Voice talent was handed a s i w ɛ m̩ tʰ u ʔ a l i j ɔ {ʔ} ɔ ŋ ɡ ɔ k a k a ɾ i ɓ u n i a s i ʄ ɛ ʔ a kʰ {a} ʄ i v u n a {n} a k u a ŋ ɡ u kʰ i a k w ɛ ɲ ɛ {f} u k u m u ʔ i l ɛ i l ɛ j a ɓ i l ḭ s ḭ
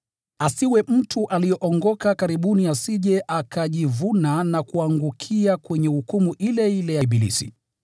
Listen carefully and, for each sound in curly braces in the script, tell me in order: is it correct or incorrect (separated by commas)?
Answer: correct, correct, correct, incorrect